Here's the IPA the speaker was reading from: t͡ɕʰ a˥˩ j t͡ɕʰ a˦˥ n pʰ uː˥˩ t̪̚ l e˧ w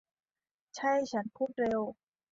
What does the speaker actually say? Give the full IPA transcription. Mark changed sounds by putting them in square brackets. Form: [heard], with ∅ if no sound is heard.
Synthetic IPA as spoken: t͡ɕʰ a˥˩ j t͡ɕʰ a˦˥ n pʰ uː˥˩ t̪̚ [ɾ] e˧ w